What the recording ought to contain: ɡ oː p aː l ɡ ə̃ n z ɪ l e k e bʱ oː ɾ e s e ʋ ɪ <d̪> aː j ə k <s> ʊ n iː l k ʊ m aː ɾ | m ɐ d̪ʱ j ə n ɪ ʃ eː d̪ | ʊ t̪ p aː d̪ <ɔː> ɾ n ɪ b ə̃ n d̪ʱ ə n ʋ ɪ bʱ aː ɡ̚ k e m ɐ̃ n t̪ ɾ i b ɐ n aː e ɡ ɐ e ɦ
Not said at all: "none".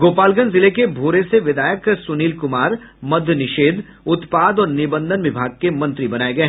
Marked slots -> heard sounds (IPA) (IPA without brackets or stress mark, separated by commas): d̪, s, ɔː